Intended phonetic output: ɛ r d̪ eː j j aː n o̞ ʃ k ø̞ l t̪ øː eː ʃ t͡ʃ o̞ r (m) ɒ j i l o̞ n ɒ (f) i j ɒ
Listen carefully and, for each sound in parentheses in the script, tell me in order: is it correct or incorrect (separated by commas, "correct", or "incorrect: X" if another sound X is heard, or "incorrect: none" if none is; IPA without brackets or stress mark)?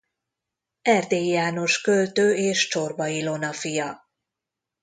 incorrect: b, correct